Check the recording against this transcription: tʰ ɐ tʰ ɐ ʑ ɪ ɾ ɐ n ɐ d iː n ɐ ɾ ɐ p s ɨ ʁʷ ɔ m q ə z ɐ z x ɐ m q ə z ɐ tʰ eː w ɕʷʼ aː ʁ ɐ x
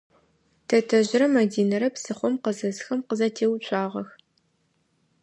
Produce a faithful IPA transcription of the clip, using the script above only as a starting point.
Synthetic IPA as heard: tʰ ɐ tʰ ɐ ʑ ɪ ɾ ɐ m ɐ d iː n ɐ ɾ ɐ p s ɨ χʷ ɔ m q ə z ɐ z x ɐ m q ə z ɐ tʰ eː w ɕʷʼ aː ʁ ɐ x